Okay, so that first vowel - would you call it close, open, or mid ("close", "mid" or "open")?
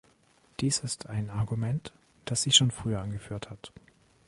close